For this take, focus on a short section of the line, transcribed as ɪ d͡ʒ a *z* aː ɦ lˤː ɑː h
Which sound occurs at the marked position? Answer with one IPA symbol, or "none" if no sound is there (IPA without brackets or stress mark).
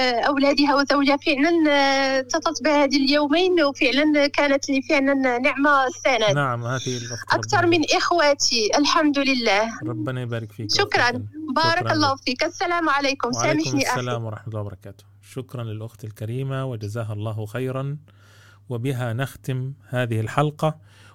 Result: z